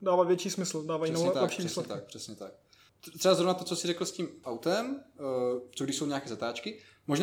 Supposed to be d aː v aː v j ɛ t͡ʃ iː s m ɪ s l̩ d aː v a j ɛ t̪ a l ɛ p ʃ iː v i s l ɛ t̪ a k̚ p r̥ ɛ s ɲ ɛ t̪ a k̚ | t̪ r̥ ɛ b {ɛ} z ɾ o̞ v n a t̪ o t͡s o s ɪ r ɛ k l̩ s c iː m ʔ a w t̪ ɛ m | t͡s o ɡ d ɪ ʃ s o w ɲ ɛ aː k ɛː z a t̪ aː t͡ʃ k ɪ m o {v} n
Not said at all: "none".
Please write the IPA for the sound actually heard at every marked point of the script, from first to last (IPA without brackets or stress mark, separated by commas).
a, ʒ